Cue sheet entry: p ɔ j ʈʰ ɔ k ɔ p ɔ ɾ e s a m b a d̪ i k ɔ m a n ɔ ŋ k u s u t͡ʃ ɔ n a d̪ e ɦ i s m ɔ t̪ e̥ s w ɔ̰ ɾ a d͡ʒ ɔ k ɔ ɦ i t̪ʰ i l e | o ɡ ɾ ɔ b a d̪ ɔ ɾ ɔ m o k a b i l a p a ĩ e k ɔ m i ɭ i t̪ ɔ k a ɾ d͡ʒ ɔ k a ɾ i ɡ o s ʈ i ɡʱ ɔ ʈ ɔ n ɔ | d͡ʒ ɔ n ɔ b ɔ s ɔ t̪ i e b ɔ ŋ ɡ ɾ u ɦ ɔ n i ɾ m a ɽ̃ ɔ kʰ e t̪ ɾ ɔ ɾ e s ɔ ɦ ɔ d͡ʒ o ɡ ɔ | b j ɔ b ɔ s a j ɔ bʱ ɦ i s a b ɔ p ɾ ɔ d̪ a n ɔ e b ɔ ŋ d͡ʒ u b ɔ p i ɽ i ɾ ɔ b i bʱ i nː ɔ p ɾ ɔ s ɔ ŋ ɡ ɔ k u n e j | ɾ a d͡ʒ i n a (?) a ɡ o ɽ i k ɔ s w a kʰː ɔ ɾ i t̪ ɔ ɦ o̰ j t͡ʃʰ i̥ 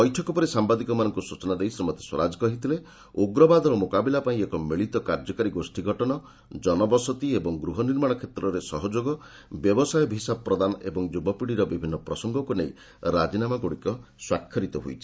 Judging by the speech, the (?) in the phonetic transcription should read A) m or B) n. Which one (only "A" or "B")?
A